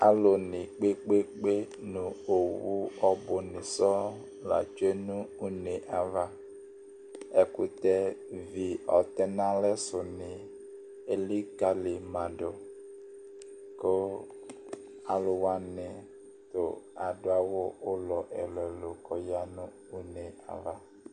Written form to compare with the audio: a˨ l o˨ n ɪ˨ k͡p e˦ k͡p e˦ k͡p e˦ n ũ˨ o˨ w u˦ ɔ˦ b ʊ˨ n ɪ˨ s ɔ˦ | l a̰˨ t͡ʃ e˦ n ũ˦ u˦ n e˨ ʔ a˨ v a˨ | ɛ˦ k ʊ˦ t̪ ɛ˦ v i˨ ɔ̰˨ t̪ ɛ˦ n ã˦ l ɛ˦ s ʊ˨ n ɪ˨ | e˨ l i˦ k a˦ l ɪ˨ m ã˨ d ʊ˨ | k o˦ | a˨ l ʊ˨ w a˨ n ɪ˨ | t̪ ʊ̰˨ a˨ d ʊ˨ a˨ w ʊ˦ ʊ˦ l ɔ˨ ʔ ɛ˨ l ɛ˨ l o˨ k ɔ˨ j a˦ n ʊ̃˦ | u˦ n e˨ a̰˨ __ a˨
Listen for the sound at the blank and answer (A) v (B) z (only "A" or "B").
A